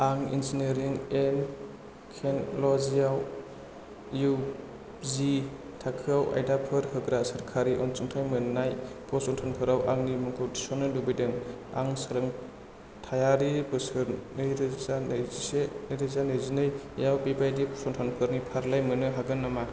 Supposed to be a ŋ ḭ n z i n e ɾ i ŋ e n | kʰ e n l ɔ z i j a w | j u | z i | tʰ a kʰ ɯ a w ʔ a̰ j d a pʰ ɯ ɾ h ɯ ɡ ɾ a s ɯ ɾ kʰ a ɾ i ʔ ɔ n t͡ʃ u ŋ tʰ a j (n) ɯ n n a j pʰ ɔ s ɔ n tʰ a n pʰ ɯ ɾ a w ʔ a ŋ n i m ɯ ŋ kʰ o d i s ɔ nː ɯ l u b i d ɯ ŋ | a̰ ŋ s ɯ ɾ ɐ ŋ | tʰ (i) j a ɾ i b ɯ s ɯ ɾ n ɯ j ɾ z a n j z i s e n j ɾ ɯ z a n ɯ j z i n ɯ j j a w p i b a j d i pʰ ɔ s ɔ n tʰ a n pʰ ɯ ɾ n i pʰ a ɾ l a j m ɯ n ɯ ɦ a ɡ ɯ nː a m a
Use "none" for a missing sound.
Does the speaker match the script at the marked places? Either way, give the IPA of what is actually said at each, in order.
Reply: m, a

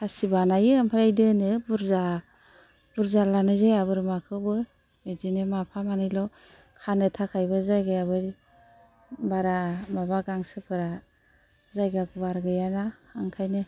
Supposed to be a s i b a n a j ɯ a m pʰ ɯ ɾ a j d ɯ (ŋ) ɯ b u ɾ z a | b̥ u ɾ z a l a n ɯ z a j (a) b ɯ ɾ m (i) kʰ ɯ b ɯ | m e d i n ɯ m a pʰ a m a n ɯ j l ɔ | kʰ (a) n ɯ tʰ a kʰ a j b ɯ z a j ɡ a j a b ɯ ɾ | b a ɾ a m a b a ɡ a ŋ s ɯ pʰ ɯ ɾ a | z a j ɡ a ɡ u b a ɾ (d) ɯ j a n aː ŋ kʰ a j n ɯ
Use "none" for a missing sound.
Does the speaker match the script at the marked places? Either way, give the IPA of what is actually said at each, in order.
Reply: n, a, a, a, ɡ

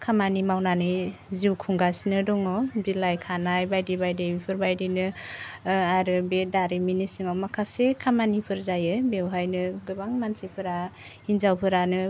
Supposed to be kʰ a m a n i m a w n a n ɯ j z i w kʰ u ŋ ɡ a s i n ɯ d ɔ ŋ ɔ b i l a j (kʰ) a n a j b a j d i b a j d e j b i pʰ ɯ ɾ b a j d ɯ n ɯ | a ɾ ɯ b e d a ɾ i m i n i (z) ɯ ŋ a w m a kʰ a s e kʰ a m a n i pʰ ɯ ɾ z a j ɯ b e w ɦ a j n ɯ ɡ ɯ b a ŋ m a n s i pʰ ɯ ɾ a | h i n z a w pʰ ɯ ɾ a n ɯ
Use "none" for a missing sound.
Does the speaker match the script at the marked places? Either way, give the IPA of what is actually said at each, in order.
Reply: kʰ, s

